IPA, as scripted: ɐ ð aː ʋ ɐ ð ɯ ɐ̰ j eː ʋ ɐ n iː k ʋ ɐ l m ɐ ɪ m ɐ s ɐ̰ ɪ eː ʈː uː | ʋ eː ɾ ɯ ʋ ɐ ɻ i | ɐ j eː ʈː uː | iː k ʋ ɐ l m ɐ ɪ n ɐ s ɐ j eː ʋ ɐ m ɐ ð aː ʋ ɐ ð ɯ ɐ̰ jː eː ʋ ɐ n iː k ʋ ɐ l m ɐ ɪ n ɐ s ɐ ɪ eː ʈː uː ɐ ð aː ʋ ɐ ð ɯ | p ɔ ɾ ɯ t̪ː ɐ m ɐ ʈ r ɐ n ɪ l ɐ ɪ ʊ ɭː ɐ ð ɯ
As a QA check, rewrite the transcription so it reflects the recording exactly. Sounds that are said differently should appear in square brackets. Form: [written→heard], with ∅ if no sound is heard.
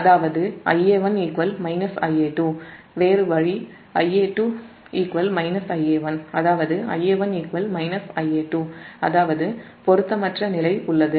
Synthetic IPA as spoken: ɐ ð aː ʋ ɐ ð ɯ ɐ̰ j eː ʋ ɐ n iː k ʋ ɐ l m ɐ ɪ [m→n] ɐ s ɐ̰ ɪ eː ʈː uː | ʋ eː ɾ ɯ ʋ ɐ ɻ i | ɐ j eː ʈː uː | iː k ʋ ɐ l m ɐ ɪ n ɐ s ɐ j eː ʋ ɐ [m→n] ɐ ð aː ʋ ɐ ð ɯ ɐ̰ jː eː ʋ ɐ n iː k ʋ ɐ l m ɐ ɪ n ɐ s ɐ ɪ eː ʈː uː ɐ ð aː ʋ ɐ ð ɯ | p ɔ ɾ ɯ t̪ː ɐ m ɐ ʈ r ɐ n ɪ l ɐ ɪ ʊ ɭː ɐ ð ɯ

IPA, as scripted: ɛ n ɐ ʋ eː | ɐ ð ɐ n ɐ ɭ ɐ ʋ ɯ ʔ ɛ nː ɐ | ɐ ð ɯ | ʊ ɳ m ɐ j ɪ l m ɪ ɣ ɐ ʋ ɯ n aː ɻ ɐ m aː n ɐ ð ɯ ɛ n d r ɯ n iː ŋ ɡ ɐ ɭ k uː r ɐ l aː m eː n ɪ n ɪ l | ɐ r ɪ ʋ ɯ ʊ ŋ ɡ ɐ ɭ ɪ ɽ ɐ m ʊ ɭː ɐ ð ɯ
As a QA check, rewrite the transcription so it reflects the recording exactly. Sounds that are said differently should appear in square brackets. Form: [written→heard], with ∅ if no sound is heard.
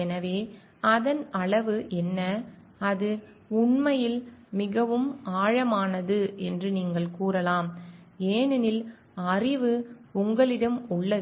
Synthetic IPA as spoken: ɛ n ɐ ʋ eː | ɐ ð ɐ n ɐ ɭ ɐ ʋ ɯ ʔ ɛ nː ɐ | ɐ ð ɯ | ʊ ɳ m ɐ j ɪ l m ɪ ɣ ɐ ʋ ɯ [n→m] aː ɻ ɐ m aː n ɐ ð ɯ ɛ n d r ɯ n iː ŋ ɡ ɐ ɭ k uː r ɐ l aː m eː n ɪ n ɪ l | ɐ r ɪ ʋ ɯ ʊ ŋ ɡ ɐ ɭ ɪ ɽ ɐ m ʊ ɭː ɐ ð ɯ

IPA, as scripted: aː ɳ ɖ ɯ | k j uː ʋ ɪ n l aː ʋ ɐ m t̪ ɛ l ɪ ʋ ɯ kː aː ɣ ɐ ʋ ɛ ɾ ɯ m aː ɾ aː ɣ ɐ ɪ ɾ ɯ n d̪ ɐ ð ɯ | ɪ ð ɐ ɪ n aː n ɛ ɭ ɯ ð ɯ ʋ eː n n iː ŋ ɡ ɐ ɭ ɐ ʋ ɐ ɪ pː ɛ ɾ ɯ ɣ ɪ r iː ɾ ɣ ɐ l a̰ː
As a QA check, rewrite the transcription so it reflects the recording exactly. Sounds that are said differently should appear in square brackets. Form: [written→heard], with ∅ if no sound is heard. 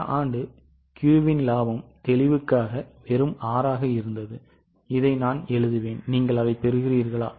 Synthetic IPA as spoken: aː ɳ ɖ ɯ | k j uː ʋ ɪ n l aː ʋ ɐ m t̪ ɛ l ɪ ʋ ɯ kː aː ɣ ɐ ʋ ɛ ɾ ɯ m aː ɾ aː ɣ ɐ ɪ ɾ ɯ n d̪ ɐ ð ɯ | ɪ ð ɐ ɪ n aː n ɛ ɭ ɯ ð ɯ ʋ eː n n iː ŋ ɡ ɐ ɭ ɐ ʋ ɐ ɪ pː ɛ ɾ ɯ ɣ ɪ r iː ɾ ɣ ɐ [l→ɭ] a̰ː

